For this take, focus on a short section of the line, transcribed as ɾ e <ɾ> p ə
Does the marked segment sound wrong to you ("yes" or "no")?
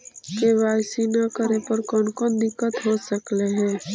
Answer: yes